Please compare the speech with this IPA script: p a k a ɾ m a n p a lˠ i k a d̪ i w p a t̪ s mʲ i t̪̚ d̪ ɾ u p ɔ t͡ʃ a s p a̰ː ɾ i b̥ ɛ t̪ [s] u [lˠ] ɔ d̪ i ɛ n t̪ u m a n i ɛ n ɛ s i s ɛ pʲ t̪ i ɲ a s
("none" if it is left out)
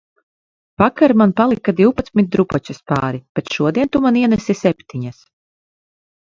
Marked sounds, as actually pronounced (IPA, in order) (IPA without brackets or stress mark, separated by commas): ʃ, none